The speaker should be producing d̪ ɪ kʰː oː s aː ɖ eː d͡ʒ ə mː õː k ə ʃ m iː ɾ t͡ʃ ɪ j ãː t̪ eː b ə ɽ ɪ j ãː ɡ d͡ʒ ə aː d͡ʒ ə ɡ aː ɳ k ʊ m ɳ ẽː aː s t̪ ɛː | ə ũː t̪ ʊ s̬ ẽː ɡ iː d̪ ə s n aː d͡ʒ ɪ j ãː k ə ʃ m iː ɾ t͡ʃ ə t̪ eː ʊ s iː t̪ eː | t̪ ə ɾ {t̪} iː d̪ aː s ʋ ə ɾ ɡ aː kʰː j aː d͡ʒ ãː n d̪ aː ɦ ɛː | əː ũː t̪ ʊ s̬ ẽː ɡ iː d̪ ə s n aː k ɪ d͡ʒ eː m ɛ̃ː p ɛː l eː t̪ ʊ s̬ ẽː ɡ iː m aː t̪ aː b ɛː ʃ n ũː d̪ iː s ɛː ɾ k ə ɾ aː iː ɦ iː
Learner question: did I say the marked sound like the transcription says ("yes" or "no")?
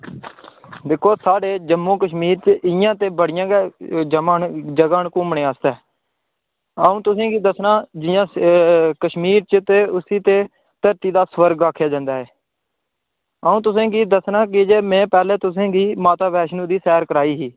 yes